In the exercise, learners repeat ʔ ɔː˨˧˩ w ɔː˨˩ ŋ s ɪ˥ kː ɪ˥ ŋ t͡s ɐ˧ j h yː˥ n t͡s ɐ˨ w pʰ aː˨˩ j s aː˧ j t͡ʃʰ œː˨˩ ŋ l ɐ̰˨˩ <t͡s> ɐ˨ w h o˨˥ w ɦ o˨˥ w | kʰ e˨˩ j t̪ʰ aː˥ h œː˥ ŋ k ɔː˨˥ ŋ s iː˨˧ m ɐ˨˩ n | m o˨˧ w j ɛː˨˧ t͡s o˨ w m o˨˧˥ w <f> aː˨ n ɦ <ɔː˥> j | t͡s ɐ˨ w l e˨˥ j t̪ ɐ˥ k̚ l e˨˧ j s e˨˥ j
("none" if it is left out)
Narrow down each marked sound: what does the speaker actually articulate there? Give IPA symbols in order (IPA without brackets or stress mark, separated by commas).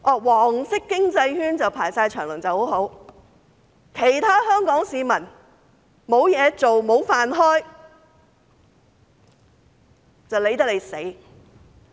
t͡s, f, ɔː˥